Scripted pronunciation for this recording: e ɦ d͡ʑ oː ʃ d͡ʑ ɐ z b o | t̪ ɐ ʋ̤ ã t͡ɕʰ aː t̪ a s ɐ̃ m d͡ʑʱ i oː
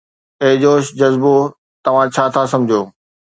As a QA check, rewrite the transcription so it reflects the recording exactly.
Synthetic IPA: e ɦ d͡ʑ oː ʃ d͡ʑ ɐ z b o | t̪ ɐ ʋ̤ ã t͡ɕʰ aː t̪ʰ a s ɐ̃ m d͡ʑʱ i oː